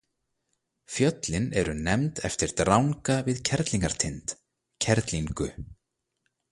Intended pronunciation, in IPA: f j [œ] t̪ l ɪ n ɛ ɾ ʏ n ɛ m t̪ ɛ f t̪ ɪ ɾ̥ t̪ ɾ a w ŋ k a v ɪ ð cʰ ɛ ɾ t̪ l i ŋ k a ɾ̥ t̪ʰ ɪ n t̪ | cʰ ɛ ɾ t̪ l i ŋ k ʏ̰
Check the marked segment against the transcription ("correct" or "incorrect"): correct